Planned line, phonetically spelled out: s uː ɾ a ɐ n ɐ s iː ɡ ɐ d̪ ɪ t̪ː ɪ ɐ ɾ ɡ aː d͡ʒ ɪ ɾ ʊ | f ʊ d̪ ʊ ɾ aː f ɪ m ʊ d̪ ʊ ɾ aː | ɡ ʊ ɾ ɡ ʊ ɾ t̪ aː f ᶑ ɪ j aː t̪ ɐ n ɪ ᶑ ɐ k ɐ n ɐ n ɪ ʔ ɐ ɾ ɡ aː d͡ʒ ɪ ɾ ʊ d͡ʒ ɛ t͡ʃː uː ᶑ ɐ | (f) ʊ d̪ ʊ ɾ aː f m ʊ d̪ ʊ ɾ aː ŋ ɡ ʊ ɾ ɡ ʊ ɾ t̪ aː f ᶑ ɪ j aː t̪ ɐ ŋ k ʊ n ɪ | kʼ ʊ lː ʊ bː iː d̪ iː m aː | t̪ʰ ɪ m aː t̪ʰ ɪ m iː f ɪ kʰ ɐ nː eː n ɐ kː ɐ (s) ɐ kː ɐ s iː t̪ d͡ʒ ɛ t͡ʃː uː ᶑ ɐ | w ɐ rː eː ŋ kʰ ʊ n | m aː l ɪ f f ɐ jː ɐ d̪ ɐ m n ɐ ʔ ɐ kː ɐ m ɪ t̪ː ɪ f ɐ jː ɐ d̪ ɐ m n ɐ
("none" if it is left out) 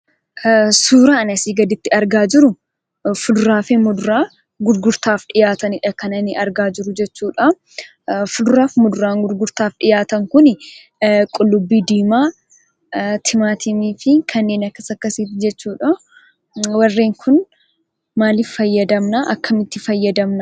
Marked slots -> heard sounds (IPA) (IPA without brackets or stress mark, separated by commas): f, s